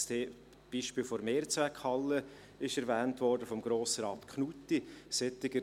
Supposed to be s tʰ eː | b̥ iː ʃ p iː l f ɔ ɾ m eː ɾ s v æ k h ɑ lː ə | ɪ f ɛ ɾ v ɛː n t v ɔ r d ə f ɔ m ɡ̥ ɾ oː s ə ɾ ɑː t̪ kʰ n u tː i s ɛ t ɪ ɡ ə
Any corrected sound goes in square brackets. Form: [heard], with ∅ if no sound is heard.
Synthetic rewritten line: s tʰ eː | b̥ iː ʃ p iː l f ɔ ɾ m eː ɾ [t͡s] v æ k h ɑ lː ə | ɪ [ʃ] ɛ ɾ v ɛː n t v ɔ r d ə f ɔ m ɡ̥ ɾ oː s ə ɾ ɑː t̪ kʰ n u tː i s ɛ t ɪ ɡ ə